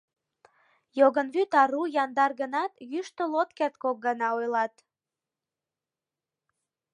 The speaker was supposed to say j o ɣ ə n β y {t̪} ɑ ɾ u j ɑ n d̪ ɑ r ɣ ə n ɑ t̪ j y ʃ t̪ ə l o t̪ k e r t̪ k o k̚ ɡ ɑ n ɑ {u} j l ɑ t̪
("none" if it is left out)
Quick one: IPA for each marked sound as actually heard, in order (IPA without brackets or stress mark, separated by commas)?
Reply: t̪, o